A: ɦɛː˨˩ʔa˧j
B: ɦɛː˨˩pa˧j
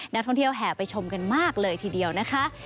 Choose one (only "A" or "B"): B